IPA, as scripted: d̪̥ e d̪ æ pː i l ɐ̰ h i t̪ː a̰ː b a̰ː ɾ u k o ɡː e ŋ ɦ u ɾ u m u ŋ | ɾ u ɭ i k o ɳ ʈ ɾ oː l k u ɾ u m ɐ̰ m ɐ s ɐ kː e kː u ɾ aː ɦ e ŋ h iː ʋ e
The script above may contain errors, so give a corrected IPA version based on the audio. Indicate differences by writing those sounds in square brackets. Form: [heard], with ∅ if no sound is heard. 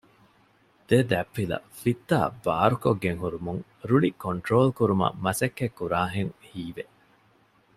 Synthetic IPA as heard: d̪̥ e d̪ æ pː i l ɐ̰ [f] i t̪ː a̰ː b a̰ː ɾ u k o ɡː e ŋ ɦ u ɾ u m u ŋ | ɾ u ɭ i k o ɳ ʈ ɾ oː l k u ɾ u m ɐ̰ m ɐ s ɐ kː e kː u ɾ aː ɦ e ŋ h iː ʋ e